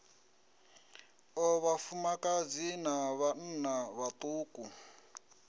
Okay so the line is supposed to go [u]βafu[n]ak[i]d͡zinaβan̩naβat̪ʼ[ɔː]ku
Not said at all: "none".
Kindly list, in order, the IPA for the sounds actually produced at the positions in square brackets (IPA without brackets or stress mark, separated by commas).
ɔ, m, a, uː